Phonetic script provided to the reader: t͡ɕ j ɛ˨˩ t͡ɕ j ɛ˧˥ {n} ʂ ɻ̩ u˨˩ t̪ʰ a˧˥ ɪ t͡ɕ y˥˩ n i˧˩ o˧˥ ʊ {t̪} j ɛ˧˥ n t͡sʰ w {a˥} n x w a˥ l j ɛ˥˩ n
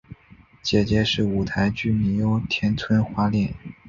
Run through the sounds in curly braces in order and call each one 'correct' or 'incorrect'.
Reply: incorrect: none, incorrect: t̪ʰ, incorrect: ə˥

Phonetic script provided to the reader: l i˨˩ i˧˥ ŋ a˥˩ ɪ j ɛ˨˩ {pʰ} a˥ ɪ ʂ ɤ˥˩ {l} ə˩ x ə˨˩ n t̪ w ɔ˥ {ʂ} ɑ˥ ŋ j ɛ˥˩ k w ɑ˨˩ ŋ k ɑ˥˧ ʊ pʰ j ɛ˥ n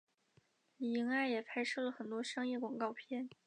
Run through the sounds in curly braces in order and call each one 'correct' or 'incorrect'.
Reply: correct, correct, correct

